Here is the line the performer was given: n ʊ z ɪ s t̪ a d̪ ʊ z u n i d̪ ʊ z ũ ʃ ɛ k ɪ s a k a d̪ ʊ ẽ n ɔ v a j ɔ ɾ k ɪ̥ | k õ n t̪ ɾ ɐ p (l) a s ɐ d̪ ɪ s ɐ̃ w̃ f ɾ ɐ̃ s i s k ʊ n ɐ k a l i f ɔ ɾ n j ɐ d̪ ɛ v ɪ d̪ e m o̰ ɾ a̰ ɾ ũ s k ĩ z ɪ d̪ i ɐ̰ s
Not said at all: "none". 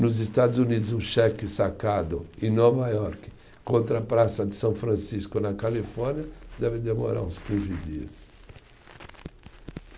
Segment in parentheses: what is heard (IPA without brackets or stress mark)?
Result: ɾ